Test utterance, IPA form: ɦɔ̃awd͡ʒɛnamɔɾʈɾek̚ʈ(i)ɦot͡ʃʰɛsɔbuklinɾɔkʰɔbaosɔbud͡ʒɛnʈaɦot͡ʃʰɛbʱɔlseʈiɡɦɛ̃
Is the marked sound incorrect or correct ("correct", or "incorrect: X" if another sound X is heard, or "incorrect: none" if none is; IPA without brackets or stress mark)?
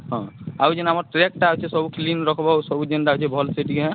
incorrect: a